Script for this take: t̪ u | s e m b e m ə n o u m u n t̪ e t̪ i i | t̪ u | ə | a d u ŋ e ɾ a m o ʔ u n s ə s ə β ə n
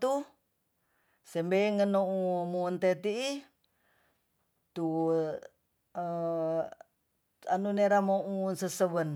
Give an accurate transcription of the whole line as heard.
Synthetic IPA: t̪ u | s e m b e ŋ ə n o u m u n t̪ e t̪ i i | t̪ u | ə | a n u n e ɾ a m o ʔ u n s ə s ə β ə n